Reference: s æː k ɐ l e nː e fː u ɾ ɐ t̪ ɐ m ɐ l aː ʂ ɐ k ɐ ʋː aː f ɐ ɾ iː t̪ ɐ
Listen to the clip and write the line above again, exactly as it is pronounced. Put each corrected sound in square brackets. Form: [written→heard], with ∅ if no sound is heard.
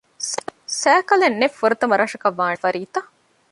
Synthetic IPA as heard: s æː k ɐ l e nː e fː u ɾ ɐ t̪ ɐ m ɐ [l→ɾ] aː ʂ ɐ k ɐ ʋː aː f ɐ ɾ iː t̪ ɐ